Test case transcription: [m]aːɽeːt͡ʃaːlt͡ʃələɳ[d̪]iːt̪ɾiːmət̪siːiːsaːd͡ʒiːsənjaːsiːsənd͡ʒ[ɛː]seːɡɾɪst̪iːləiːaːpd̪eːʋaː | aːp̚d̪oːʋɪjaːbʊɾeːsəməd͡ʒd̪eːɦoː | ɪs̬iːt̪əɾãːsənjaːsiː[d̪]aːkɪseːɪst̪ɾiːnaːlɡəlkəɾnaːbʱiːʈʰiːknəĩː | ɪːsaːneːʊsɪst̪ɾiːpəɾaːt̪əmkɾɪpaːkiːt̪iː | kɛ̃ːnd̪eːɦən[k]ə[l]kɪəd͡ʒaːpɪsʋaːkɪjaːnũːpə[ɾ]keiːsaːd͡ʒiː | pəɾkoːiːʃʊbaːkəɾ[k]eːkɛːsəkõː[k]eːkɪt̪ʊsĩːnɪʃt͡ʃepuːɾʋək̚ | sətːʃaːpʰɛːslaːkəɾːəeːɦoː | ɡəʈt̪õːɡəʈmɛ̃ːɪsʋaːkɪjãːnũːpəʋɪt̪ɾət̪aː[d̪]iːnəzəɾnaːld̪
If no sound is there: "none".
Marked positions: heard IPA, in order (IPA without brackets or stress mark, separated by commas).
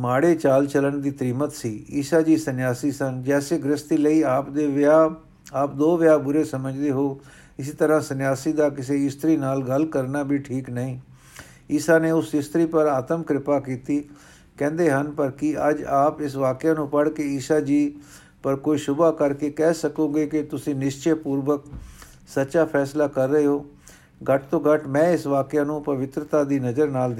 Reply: m, d̪, ɛː, d̪, p, ɾ, ɽ, k, ɡ, d̪